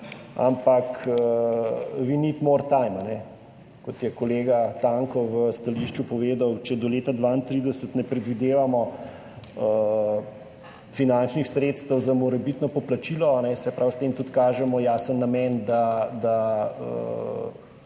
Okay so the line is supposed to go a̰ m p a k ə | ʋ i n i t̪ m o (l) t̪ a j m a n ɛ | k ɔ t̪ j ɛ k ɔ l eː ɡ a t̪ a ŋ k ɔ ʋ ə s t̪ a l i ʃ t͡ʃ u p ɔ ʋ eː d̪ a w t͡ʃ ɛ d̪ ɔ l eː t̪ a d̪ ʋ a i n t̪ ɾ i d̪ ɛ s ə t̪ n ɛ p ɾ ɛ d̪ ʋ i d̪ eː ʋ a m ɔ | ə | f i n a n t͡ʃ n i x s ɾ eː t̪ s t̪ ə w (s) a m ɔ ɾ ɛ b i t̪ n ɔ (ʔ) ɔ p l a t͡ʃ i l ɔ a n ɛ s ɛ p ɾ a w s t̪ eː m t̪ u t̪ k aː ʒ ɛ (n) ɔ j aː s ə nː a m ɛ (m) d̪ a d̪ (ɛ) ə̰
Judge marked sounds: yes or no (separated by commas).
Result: no, no, no, no, no, no